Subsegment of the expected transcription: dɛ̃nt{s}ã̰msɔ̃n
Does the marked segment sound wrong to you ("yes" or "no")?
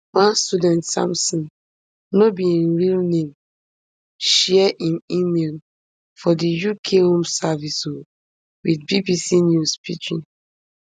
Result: no